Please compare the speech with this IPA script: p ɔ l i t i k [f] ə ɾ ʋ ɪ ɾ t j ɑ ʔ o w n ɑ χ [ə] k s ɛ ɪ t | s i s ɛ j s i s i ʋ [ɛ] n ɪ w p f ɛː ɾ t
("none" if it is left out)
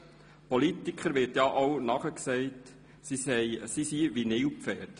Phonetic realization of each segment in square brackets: χ, ə, i

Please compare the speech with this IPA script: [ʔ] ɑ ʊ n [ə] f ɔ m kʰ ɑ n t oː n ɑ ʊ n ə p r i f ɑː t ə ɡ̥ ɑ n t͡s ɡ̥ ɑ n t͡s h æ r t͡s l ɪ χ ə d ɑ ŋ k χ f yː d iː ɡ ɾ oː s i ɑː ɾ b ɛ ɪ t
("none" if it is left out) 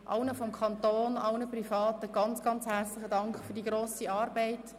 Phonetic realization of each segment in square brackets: ʔ, ə

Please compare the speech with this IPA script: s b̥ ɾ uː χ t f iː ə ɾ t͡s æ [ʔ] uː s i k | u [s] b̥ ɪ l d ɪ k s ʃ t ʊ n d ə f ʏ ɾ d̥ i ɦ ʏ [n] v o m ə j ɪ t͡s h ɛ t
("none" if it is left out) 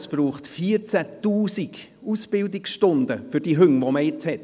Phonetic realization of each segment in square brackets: t, s, ŋ

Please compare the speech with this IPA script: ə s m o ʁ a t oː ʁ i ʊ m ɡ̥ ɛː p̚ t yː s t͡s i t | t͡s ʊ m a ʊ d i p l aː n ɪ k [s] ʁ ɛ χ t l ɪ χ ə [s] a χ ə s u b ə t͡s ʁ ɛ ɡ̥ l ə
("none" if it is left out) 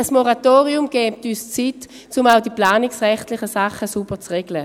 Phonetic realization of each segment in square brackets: s, s

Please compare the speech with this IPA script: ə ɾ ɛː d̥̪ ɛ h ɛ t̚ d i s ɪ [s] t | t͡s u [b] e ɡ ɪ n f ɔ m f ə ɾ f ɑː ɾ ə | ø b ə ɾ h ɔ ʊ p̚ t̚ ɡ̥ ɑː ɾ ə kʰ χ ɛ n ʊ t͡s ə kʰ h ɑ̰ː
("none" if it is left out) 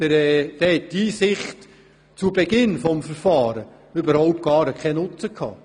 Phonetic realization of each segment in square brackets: χ, b

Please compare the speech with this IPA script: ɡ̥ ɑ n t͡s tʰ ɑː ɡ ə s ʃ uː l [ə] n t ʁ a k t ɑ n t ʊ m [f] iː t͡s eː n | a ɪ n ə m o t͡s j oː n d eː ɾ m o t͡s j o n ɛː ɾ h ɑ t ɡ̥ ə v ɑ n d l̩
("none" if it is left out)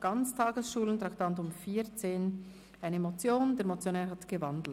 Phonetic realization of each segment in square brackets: ə, f

